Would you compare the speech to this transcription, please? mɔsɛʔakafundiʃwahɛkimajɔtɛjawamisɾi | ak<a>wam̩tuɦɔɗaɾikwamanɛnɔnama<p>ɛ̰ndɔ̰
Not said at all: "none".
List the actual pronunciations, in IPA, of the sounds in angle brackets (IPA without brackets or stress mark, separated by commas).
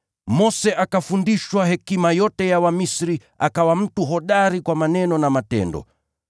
a, t